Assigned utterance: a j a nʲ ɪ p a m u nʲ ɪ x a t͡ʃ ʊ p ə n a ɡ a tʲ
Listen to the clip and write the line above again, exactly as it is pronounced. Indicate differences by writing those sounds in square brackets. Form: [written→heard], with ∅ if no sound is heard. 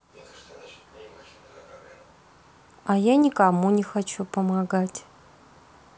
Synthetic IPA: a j a nʲ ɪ [p→k] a m u nʲ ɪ x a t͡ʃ [ʊ→u] p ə [n→m] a ɡ a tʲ